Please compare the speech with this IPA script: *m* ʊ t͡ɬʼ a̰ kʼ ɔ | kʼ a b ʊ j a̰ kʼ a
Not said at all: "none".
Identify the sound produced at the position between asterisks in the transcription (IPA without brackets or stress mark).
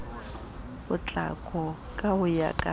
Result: b